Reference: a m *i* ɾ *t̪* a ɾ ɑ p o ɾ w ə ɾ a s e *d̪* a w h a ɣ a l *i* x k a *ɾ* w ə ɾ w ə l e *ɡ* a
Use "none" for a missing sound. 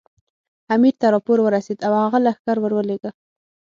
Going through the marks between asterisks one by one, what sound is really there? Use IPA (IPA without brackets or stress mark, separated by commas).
i, t̪, d̪, a, ɾ, ɡ